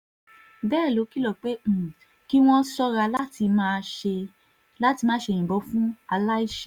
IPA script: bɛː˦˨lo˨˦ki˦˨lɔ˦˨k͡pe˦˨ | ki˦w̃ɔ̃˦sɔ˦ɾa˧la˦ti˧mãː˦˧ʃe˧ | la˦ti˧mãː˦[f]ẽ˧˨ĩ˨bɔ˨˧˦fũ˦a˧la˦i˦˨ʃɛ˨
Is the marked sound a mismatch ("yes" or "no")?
yes